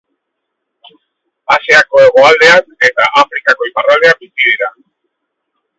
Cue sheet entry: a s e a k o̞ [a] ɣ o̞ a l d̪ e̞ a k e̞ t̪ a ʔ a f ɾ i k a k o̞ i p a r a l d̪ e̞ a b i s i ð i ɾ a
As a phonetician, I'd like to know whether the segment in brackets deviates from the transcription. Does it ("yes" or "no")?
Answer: yes